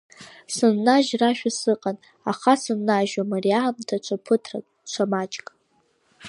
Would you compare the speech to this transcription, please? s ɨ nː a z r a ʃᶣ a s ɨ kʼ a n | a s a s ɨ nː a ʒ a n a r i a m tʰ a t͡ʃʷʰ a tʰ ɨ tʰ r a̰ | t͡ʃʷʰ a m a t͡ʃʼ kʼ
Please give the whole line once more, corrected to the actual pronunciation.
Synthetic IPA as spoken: s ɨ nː a ʒ r a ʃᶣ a s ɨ qʼ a n | a χ a s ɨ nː a ʒ a m a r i a m tʰ a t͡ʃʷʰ a pʰ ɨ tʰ r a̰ | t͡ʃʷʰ a m a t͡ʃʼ kʼ

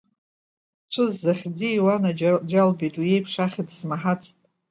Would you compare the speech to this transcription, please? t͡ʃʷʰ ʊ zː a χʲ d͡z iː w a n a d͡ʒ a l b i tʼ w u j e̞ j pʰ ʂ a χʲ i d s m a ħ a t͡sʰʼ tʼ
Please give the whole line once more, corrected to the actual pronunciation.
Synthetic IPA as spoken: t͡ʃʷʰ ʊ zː a χʲ d͡z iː w a n a d͡ʒ a l b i tʼ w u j e̞ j pʰ ʂ a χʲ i d s m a ħ a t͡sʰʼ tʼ

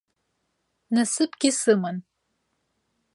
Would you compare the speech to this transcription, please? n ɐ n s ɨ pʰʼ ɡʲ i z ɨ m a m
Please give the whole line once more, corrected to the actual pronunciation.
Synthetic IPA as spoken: n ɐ s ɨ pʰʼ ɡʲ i s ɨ m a n

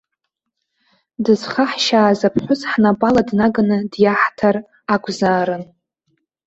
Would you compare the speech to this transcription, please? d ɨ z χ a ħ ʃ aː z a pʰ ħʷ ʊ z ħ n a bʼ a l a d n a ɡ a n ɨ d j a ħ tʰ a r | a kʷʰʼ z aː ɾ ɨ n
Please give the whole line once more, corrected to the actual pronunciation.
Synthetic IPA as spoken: d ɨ z χ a ħ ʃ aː z a pʰ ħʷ ʊ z ħ n a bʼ a l a d n a ɡ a n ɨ d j a ħ tʰ a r | a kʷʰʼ z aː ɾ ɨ n

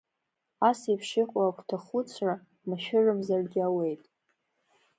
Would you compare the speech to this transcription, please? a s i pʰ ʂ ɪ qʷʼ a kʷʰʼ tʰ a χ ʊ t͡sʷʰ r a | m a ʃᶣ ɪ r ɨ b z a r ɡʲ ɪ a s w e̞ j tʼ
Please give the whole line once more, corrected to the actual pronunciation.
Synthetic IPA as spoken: a s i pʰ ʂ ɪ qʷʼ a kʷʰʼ tʰ a χ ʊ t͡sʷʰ r a | m a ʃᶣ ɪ r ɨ m z a r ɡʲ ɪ a w e̞ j tʼ

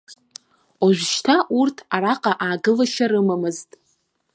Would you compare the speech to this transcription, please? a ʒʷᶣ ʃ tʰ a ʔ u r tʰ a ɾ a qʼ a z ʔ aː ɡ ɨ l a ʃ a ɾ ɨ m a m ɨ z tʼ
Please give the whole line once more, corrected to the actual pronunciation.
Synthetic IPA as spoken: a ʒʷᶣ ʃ tʰ a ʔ u r tʰ a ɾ a qʼ a ʔ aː ɡ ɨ l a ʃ a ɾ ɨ m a m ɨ z tʼ

